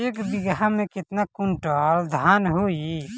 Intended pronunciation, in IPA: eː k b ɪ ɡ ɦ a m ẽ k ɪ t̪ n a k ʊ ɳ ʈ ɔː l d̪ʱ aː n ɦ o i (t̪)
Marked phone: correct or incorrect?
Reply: incorrect